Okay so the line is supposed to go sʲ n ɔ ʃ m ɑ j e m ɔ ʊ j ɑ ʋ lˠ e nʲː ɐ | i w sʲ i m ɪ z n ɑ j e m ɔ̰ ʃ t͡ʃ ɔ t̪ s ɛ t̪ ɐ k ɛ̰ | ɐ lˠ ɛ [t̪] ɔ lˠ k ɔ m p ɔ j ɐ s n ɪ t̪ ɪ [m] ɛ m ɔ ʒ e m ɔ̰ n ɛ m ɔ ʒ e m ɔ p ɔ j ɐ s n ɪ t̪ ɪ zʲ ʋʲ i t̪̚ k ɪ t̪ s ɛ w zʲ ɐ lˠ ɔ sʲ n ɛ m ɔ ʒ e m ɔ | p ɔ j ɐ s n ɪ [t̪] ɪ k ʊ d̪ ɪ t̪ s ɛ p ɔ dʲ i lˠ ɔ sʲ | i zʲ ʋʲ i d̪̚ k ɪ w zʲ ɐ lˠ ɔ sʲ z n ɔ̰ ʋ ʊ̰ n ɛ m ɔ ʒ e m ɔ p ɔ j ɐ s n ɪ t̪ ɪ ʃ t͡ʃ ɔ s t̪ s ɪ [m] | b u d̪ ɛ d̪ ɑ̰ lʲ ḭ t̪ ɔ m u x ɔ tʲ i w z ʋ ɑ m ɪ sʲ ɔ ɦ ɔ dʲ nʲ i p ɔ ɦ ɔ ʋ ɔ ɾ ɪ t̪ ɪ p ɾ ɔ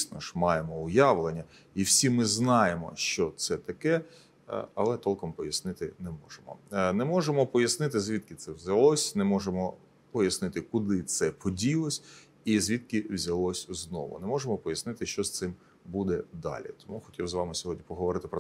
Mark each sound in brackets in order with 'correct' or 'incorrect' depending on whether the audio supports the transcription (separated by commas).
correct, incorrect, correct, correct